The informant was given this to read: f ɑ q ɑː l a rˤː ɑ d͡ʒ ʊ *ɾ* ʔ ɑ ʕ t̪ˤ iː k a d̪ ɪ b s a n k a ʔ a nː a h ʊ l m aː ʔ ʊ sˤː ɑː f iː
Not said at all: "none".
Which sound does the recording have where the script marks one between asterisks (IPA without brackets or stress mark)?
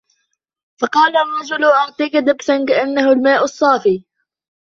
l